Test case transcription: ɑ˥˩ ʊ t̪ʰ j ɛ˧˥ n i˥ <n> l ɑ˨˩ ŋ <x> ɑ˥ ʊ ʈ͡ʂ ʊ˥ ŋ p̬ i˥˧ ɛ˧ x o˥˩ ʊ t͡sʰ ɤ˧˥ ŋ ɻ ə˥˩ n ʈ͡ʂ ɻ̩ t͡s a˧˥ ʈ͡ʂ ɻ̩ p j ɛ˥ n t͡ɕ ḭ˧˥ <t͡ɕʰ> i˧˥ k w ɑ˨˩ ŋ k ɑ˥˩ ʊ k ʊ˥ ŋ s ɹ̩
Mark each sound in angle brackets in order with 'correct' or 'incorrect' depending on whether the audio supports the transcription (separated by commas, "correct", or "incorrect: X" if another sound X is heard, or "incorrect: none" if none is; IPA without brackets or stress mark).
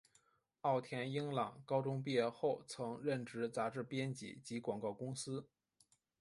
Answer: incorrect: ŋ, incorrect: k, incorrect: t͡ɕ